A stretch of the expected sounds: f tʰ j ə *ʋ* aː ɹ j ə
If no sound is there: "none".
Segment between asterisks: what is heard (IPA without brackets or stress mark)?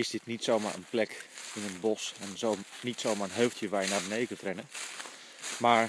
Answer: ʋ